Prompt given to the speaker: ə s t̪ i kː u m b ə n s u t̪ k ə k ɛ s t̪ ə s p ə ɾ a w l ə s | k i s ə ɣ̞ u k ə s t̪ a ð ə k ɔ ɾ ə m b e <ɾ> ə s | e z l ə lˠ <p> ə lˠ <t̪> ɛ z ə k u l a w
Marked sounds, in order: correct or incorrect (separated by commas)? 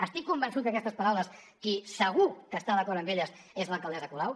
incorrect, incorrect, incorrect